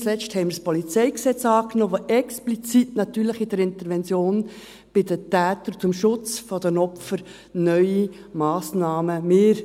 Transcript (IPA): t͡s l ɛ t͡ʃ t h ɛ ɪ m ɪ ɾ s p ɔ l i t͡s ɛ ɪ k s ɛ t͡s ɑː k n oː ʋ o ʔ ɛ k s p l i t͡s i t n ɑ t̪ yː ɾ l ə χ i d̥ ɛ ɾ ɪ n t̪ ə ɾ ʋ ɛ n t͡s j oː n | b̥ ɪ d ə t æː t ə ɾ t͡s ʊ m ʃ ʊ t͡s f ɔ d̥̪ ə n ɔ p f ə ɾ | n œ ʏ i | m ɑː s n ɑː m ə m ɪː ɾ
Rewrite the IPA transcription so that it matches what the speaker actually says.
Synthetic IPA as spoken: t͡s l ɛ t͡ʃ t h ɛ ɪ m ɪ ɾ s p ɔ l i t͡s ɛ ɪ k s ɛ t͡s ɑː k n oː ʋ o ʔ ɛ k s p l i t͡s i t n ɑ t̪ yː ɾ l ə χ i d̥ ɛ ɾ ɪ n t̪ ə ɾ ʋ ɛ n t͡s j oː n | b̥ ɪ d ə t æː t ə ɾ t͡s ʊ m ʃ ʊ t͡s f ɔ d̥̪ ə n ɔ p f ə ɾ | n œ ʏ i | m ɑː s n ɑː m ə m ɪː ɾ

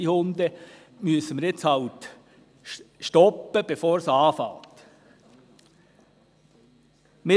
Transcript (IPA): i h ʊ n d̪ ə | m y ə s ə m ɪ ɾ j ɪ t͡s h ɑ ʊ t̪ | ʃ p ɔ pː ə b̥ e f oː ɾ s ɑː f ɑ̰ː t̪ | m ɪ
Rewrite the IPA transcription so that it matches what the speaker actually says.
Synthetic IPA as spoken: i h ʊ n d̪ ə | m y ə s ə m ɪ ɾ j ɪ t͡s h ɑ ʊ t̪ | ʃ t ɔ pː ə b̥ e f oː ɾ s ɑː f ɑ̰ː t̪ | m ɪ

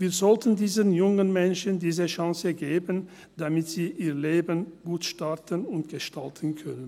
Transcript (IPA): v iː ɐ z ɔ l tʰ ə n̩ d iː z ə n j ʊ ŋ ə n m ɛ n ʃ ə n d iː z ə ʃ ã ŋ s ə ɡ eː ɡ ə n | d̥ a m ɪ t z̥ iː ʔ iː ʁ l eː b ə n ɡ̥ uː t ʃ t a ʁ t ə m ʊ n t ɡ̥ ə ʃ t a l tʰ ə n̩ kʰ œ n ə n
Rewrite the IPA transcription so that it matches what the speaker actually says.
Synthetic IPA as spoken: v iː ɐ z ɔ l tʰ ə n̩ d iː z ə n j ʊ ŋ ə n m ɛ n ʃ ə n d iː z ə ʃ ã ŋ s ə ɡ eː b ə n | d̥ a m ɪ t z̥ iː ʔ iː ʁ l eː b ə n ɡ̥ uː t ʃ t a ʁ t ə n ʊ n t ɡ̥ ə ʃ t a l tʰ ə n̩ kʰ œ n ə n

